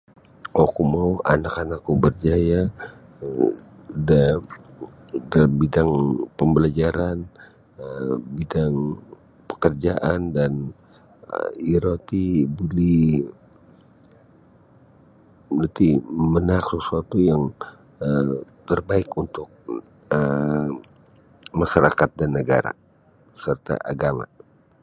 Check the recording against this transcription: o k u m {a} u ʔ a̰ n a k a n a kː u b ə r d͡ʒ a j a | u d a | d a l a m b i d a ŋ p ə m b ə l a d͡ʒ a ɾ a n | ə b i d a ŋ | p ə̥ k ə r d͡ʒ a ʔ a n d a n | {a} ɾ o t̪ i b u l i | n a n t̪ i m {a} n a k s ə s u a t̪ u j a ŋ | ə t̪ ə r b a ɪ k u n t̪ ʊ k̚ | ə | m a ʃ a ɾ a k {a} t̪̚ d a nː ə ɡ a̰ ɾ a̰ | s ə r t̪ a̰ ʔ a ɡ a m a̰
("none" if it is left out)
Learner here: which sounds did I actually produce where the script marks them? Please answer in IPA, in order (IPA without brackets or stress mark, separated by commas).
a, i, ə, a